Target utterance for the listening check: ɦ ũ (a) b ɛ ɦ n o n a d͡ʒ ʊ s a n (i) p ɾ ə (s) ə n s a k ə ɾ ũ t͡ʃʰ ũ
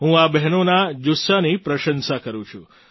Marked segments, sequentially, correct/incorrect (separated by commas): correct, correct, incorrect